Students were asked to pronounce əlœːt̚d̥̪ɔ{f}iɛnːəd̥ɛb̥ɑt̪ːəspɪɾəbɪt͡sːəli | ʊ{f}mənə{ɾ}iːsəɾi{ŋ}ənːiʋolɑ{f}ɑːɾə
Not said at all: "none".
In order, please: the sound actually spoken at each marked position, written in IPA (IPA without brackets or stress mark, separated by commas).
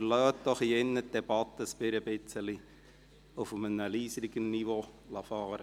χ, f, l, ɡ, f